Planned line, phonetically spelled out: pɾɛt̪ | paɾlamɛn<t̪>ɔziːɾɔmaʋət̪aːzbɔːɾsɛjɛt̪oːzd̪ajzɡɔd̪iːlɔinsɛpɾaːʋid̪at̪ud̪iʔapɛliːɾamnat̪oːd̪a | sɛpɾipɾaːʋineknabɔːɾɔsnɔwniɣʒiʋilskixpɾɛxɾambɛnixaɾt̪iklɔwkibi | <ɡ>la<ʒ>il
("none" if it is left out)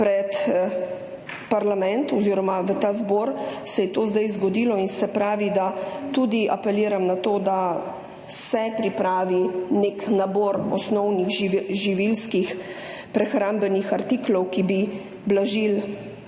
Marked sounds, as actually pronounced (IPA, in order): t̪, b, ʒ

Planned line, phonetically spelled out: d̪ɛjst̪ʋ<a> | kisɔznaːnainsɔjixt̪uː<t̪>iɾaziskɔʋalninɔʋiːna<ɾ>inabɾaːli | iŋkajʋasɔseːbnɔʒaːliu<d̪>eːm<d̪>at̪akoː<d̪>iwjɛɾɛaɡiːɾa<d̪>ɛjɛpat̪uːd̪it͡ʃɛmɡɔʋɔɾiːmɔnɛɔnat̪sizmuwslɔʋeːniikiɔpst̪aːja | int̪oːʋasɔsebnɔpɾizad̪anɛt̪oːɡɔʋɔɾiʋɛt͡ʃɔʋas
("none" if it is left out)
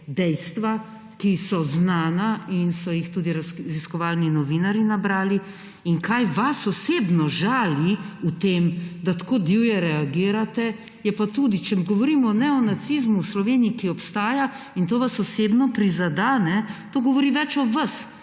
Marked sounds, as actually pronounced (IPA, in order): a, d̪, ɾ, t̪, d̪, d̪, t̪

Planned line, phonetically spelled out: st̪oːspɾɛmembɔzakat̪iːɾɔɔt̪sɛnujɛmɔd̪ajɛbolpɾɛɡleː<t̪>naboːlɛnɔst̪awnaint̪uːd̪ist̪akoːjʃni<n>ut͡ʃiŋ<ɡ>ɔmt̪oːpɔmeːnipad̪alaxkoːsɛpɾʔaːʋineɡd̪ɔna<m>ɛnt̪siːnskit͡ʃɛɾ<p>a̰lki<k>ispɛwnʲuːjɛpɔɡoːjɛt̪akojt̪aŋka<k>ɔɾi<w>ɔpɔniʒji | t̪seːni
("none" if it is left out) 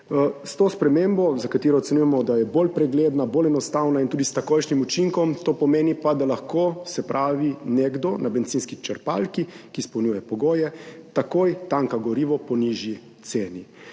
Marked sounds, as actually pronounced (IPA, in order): d̪, m, k, b, p, k, ɡ, ʋ

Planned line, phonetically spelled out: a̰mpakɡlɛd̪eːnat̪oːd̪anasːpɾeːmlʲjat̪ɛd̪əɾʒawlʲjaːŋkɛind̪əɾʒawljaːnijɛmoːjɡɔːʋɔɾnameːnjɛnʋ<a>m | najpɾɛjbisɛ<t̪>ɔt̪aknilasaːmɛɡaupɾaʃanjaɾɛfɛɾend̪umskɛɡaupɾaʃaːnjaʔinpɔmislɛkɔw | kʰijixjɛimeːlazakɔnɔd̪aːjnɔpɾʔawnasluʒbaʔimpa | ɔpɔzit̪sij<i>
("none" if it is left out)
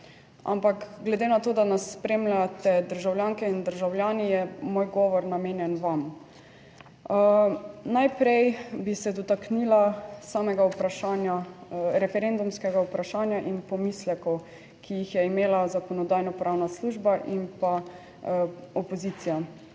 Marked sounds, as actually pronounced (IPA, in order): a, d̪, a

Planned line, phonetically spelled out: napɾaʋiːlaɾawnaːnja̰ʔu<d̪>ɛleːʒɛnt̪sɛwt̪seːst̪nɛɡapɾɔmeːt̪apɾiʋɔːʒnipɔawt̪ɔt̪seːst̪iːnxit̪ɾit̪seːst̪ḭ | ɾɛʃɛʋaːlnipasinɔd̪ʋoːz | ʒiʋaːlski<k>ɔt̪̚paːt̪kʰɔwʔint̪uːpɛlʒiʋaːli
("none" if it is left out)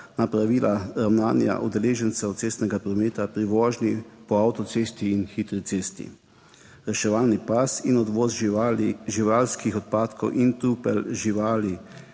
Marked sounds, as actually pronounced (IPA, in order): d̪, x

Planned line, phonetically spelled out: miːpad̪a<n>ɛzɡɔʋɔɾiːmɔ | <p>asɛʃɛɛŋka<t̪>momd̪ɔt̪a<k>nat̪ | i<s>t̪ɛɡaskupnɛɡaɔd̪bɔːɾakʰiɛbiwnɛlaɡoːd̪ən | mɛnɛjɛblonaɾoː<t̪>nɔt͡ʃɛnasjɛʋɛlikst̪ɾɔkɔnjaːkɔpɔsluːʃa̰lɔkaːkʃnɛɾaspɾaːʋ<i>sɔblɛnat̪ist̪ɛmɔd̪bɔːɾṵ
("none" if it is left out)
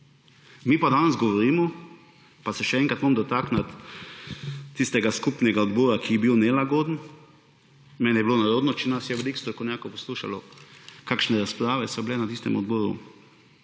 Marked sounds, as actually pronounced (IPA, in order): n, p, t̪, k, s, d̪, ɛ

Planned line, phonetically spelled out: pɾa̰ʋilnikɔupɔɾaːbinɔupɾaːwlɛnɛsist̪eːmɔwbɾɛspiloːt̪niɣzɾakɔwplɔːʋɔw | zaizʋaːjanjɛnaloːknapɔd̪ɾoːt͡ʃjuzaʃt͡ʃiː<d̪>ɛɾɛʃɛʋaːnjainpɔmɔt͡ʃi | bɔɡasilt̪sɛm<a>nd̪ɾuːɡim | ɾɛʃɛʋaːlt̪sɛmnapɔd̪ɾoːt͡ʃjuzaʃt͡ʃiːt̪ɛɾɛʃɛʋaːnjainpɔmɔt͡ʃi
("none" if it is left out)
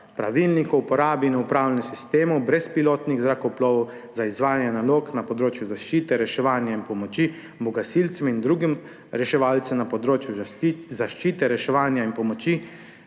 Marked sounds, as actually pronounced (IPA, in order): t̪, i

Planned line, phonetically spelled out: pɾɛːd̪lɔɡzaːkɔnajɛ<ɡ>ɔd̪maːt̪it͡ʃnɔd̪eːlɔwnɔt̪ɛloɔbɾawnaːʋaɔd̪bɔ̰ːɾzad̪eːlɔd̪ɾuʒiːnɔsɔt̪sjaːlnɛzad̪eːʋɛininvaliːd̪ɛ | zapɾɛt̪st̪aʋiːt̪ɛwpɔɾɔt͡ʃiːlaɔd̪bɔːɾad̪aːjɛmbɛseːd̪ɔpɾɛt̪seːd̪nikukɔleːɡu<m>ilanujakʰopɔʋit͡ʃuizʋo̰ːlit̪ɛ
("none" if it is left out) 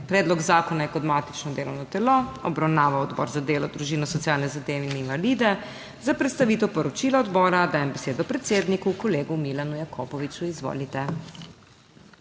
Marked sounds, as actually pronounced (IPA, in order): k, m

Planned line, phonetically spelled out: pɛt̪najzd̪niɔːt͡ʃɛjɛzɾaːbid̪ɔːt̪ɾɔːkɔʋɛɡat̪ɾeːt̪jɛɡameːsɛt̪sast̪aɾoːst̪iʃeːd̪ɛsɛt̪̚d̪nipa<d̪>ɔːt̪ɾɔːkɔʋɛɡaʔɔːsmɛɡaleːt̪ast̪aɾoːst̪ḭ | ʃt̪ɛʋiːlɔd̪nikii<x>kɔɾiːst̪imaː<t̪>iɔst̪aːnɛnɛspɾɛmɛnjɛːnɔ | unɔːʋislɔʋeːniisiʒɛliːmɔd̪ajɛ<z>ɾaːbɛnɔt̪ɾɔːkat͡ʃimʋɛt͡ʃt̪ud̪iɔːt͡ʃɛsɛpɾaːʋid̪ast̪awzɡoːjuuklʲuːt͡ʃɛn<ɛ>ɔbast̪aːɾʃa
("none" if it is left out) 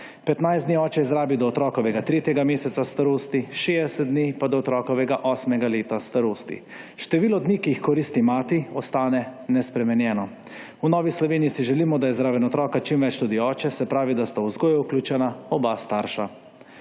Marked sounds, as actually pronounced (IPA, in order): d̪, x, t̪, z, a

